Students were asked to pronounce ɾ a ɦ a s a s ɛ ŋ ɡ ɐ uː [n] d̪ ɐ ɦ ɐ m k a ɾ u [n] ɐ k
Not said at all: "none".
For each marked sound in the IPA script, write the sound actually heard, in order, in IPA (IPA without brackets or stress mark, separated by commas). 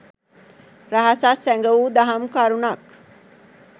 none, n